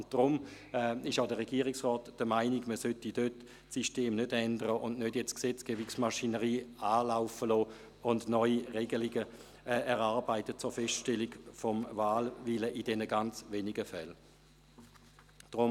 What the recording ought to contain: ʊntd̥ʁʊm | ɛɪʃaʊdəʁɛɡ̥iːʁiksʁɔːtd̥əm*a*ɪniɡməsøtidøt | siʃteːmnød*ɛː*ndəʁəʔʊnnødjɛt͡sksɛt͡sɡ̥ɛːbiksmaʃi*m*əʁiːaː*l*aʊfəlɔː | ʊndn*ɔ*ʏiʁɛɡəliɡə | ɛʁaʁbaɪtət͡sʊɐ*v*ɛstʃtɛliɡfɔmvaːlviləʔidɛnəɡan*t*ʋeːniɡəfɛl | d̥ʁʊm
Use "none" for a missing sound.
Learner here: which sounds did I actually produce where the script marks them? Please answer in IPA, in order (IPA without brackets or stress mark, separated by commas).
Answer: a, ɛ, n, l, ɔ, f, t͡s